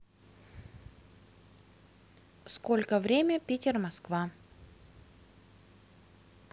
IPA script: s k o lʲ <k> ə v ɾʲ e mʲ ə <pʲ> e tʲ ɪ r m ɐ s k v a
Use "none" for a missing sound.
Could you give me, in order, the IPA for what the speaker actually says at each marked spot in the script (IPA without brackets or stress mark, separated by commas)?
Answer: k, pʲ